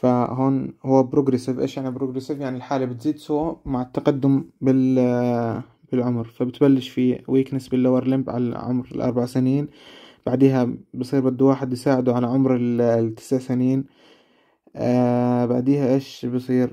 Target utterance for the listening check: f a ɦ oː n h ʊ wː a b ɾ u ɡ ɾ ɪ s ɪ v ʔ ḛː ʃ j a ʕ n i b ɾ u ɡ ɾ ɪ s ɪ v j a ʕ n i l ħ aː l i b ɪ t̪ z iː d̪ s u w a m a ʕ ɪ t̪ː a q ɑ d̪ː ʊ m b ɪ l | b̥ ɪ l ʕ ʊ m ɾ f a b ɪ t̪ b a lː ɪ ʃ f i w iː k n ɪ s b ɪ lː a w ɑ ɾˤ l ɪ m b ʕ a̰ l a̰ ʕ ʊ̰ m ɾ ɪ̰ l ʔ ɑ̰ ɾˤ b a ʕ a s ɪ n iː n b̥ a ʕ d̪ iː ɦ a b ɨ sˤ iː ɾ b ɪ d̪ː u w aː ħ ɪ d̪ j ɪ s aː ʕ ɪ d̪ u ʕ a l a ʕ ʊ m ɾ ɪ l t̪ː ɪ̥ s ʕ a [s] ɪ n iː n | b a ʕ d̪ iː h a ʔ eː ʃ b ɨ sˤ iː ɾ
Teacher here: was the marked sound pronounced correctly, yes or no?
yes